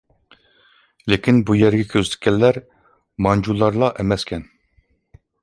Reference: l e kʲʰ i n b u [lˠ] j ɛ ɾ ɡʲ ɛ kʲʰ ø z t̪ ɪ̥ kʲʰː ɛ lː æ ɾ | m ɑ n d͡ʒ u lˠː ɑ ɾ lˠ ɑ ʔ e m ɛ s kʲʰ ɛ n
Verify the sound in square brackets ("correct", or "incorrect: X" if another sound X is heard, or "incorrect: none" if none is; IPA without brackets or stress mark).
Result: incorrect: none